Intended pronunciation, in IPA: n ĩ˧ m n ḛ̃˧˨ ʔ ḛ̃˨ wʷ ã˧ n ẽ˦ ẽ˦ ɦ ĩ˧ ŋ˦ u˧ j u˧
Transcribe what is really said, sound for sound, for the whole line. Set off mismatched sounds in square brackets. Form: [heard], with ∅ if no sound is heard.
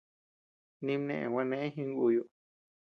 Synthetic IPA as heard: n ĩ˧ m n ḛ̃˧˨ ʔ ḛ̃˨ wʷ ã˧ n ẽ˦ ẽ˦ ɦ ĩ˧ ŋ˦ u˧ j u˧